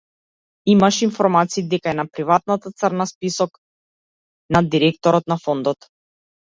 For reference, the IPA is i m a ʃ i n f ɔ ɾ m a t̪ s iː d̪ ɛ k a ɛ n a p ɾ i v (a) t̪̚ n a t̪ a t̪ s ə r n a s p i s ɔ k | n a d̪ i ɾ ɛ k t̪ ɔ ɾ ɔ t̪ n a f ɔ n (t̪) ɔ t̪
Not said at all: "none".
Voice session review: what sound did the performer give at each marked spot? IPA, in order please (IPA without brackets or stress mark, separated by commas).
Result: a, d̪